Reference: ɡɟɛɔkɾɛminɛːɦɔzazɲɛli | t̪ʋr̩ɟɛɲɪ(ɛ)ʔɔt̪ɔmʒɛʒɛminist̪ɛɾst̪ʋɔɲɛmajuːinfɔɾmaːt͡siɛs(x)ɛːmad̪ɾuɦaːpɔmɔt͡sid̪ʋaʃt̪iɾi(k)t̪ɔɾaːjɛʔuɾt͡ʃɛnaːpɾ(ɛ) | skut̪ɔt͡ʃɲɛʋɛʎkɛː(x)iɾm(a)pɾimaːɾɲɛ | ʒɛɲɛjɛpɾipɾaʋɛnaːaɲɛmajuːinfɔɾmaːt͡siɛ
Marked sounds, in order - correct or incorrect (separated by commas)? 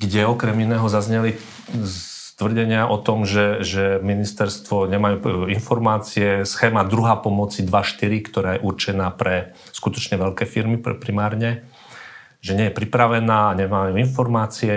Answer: incorrect, correct, correct, correct, incorrect, incorrect